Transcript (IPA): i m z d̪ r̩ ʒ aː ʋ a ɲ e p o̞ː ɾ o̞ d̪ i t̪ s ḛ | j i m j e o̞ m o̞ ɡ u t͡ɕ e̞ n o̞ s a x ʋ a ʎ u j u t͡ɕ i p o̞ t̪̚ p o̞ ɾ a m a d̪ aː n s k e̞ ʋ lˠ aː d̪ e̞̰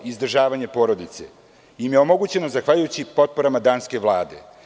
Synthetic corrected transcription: i z d̪ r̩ ʒ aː ʋ a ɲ e p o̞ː ɾ o̞ d̪ i t̪ s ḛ | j i m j e o̞ m o̞ ɡ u t͡ɕ e̞ n o̞ z a x ʋ a ʎ u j u t͡ɕ i p o̞ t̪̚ p o̞ ɾ a m a d̪ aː n s k e̞ ʋ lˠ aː d̪ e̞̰